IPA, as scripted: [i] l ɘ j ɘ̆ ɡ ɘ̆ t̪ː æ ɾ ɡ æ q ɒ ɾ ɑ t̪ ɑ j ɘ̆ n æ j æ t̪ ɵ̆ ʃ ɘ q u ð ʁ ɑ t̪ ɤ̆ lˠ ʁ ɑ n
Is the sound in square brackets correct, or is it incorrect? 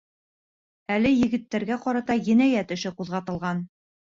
incorrect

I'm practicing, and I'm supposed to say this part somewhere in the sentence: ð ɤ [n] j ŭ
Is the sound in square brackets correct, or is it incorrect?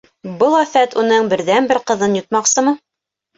correct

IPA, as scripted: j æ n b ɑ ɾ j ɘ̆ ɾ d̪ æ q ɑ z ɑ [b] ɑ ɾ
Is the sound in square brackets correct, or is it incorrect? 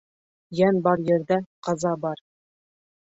correct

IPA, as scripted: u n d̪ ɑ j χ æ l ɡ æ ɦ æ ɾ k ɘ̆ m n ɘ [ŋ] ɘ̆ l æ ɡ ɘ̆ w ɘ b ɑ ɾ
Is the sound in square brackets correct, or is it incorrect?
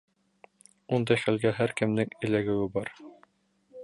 correct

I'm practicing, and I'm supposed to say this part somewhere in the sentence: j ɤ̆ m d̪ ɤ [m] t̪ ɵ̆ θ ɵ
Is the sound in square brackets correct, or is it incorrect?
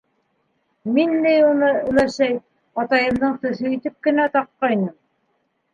incorrect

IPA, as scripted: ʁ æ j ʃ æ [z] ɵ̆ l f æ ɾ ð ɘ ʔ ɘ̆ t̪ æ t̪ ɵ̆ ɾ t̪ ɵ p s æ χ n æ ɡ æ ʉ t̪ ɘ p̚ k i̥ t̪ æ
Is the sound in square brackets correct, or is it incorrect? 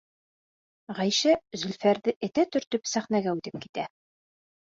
correct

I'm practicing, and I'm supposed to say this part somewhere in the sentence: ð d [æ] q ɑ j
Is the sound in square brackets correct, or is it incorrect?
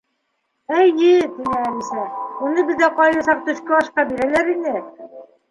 correct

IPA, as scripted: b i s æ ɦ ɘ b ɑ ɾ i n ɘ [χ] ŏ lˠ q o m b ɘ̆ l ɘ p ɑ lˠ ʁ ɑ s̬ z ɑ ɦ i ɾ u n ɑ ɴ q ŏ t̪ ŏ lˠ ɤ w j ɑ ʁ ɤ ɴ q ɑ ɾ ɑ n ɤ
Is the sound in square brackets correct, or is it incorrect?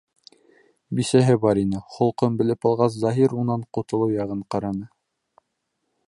correct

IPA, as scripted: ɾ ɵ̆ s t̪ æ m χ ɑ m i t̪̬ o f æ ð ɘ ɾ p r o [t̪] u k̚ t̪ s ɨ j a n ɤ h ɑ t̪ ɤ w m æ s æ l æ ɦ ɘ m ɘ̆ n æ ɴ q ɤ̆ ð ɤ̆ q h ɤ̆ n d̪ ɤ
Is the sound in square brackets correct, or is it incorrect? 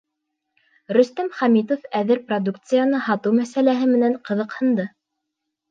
incorrect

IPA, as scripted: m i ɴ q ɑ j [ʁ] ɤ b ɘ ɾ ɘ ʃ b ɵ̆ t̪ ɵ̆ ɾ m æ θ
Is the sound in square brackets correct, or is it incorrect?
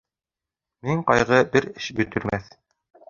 correct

